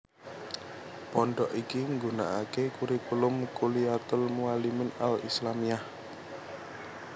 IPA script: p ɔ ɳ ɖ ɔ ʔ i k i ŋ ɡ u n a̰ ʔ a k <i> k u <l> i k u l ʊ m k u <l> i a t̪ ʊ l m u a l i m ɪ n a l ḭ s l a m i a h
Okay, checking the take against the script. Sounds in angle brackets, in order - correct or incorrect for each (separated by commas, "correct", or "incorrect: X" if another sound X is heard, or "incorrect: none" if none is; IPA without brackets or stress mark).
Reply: incorrect: e, incorrect: ɾ, correct